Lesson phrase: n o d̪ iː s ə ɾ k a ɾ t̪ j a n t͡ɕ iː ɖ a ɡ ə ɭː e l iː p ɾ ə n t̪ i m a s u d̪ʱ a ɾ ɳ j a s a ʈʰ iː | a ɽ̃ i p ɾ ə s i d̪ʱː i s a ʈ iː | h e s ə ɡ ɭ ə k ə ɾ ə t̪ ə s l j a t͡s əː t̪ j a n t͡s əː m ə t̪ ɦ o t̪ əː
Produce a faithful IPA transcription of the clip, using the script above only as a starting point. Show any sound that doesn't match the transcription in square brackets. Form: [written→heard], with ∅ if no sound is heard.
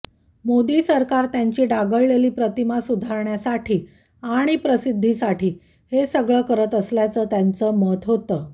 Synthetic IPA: [n→m] o d̪ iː s ə ɾ k a ɾ t̪ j a [n→ɲ] t͡ɕ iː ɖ a ɡ ə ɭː e l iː p ɾ ə [n→∅] t̪ i m a s u d̪ʱ a ɾ ɳ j a s a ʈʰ iː | a ɽ̃ i p ɾ ə s i d̪ʱː i s a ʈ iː | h e s ə ɡ ɭ ə k ə ɾ ə t̪ ə s l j a t͡s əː t̪ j a n t͡s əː m ə t̪ ɦ o t̪ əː